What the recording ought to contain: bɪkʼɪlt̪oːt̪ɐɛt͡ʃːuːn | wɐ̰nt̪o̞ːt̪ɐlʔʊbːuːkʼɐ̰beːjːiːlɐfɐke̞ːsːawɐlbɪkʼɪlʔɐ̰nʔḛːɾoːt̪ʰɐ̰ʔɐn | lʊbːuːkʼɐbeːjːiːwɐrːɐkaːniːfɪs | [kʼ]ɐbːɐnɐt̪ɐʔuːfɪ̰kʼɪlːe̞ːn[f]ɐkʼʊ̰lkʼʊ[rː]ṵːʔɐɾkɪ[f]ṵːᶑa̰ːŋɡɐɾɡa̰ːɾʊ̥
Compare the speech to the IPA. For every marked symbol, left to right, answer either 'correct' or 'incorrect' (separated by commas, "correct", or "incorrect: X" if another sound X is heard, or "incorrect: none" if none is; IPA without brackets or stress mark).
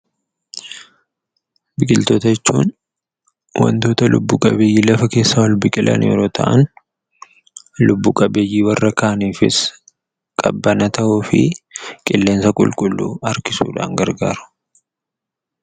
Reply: correct, incorrect: s, incorrect: lː, incorrect: s